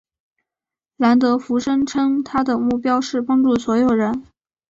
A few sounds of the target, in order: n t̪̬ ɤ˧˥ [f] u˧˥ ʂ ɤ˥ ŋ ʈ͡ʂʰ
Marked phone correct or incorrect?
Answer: correct